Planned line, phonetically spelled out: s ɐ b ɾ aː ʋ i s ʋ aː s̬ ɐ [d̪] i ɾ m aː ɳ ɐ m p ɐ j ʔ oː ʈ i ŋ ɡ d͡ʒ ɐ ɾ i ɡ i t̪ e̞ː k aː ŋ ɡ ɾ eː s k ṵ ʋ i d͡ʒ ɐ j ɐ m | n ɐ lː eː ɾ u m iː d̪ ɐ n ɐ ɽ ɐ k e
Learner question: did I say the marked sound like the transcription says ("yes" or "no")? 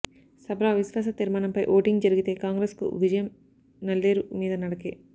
no